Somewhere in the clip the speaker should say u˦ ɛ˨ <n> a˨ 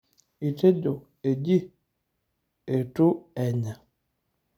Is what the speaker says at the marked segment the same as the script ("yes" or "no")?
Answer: no